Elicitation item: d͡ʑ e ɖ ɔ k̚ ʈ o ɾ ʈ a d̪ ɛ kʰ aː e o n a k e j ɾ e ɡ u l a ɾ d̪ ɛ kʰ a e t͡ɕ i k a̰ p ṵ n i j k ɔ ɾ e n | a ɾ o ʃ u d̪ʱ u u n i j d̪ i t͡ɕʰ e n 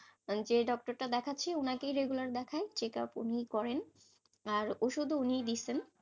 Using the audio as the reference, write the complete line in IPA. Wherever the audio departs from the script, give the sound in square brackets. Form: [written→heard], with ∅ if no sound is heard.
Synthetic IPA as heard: d͡ʑ e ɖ ɔ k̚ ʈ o ɾ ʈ a d̪ ɛ kʰ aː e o n a k e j ɾ e ɡ u l a ɾ d̪ ɛ kʰ a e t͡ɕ [i→e] k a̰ p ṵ n i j k ɔ ɾ e n | a ɾ o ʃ u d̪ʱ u u n i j d̪ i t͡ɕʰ e n